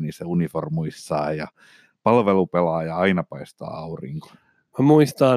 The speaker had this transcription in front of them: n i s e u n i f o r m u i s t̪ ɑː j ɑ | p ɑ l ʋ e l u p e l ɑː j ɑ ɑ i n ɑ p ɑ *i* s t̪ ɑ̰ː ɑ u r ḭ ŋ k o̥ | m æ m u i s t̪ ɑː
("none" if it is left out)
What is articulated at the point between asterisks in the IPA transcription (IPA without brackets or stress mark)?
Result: i